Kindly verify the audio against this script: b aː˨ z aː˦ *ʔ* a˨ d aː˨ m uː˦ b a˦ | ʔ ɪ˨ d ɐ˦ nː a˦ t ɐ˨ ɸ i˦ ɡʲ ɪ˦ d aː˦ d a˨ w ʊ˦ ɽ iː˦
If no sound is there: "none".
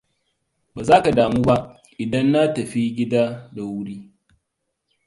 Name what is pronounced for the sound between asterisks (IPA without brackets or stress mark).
k